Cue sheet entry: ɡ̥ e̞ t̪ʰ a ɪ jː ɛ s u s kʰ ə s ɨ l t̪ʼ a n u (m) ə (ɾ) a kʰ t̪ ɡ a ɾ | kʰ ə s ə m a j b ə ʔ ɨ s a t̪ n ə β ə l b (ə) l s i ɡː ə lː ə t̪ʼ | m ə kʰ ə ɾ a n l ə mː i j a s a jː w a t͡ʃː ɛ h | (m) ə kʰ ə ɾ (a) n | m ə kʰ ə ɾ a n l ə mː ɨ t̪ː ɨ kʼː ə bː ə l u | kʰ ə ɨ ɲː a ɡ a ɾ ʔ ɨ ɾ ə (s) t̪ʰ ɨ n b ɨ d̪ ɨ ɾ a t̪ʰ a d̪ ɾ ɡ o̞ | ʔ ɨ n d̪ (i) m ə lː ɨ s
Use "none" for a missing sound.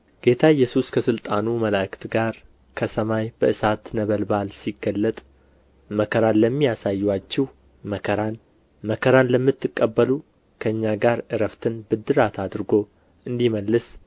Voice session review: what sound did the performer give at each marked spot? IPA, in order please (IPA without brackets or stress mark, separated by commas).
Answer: m, l, a, m, a, f, i